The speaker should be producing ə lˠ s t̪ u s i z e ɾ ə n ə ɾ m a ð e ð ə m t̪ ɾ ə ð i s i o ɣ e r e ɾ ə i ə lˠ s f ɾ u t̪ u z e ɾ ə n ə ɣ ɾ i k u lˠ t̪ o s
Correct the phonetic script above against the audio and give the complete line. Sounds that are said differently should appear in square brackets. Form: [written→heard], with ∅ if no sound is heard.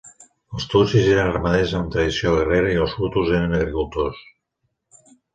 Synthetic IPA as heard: ə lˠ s t̪ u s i z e ɾ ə n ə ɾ m a ð e [ð→z] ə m t̪ ɾ ə ð i s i o ɣ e r e ɾ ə i ə lˠ s f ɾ u t̪ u z e ɾ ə n ə ɣ ɾ i k u lˠ t̪ o s